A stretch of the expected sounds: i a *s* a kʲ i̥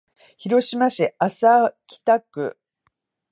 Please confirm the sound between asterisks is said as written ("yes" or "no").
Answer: yes